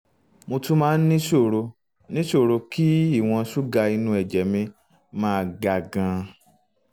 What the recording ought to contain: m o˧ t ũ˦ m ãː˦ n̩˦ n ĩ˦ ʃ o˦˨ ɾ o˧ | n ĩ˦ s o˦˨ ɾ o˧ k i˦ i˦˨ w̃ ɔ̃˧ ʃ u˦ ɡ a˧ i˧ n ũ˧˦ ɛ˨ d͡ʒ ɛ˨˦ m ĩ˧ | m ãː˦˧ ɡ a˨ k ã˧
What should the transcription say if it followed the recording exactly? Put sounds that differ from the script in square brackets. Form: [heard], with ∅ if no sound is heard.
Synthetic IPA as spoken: m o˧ t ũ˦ m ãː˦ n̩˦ n ĩ˦ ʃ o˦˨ ɾ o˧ | n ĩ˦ [ʃ] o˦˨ ɾ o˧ k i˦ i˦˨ w̃ ɔ̃˧ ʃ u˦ ɡ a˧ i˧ n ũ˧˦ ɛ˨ d͡ʒ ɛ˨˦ m ĩ˧ | m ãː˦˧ ɡ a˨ [ɡ] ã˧